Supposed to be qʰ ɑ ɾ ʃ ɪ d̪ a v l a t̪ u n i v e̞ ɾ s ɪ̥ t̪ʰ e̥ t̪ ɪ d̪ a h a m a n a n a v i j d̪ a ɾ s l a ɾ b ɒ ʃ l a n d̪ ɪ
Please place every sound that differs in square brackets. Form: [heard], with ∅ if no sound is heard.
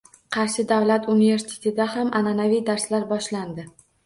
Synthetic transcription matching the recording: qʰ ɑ ɾ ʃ ɪ d̪ a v l a t̪ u n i v e̞ ɾ s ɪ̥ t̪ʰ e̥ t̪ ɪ d̪ a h a m a n a n a v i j d̪ a ɾ s l a ɾ b ɒ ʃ l a n d̪ ɪ